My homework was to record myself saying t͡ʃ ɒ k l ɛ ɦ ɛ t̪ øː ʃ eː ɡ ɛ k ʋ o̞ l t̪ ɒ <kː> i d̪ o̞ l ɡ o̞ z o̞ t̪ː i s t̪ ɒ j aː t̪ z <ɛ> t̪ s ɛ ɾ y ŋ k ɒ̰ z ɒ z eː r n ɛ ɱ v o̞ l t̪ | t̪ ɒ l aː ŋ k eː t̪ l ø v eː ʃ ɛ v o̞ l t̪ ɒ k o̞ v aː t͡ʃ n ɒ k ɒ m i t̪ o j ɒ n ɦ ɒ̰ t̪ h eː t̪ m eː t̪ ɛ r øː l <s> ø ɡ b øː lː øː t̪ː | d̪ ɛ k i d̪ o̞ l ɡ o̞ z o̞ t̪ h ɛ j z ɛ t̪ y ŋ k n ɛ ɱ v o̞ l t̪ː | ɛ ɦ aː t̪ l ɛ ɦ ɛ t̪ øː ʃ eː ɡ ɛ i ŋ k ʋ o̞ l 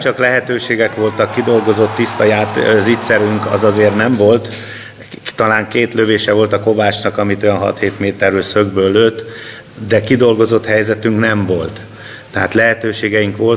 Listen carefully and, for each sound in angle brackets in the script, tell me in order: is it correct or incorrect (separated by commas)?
correct, incorrect, correct